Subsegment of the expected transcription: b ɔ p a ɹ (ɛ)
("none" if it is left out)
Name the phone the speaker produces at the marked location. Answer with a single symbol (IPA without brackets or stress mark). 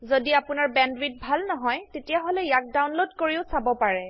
ɛ